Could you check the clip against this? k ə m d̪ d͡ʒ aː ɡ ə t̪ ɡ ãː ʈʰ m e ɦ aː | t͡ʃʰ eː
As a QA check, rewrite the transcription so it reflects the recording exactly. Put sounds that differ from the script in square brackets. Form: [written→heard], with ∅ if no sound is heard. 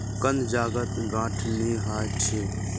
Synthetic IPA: k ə [m→n] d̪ d͡ʒ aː ɡ ə t̪ ɡ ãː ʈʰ [m→n] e ɦ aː | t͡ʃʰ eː